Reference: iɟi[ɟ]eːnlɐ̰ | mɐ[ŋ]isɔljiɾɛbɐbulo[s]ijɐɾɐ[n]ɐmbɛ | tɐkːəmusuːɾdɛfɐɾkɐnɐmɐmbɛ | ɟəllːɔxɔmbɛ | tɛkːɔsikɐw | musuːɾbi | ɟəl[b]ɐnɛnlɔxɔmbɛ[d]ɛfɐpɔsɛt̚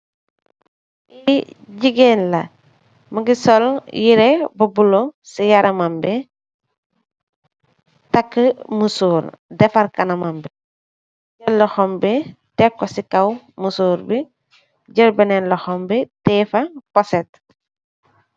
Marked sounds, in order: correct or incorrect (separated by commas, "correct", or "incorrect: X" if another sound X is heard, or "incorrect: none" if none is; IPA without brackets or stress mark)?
incorrect: ɡ, incorrect: ɡ, correct, incorrect: m, correct, incorrect: t